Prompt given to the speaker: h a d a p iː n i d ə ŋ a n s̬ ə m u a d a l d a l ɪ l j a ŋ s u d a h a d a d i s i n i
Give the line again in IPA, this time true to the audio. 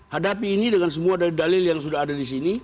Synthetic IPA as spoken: h a d a p iː n i d ə ŋ a n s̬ ə m u a d a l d a l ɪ l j a ŋ s u d a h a d a d i s i n i